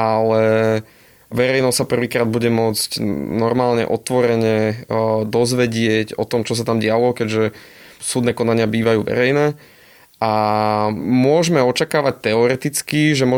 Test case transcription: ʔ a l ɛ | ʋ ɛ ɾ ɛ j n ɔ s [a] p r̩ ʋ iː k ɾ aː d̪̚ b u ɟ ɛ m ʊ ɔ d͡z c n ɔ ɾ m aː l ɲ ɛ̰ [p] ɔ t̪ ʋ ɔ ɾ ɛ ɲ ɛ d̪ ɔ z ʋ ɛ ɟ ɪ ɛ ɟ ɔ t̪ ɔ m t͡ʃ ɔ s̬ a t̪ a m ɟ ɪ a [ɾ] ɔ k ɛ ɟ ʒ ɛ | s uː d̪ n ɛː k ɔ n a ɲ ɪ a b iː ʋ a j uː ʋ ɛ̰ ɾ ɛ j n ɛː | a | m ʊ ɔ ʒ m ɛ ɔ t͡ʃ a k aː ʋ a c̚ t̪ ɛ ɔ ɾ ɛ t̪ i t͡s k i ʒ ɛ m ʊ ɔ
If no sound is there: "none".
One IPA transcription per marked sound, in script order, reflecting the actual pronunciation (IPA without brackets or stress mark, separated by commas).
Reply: a, ʔ, l